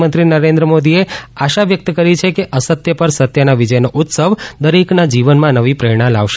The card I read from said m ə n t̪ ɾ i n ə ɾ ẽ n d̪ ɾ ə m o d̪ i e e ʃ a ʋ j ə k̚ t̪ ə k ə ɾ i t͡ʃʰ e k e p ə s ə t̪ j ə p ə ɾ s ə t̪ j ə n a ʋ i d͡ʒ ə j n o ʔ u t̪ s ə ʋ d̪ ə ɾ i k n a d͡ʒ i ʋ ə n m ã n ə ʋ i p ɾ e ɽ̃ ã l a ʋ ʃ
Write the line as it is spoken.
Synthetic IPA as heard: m ə n t̪ ɾ i n ə ɾ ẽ n d̪ ɾ ə m o d̪ i e a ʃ a ʋ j ə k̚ t̪ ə k ə ɾ i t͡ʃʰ e k e ʔ ə s ə t̪ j ə p ə ɾ s ə t̪ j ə n a ʋ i d͡ʒ ə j n o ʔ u t̪ s ə ʋ d̪ ə ɾ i k n a d͡ʒ i ʋ ə n m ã n ə ʋ i p ɾ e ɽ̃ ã l a ʋ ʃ